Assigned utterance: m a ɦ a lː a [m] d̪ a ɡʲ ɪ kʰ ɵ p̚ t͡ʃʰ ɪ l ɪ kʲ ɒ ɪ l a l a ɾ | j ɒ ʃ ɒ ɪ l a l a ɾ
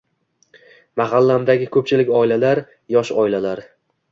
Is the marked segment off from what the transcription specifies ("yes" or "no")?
no